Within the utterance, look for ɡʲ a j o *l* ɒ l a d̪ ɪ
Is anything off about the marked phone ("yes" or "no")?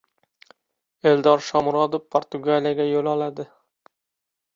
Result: no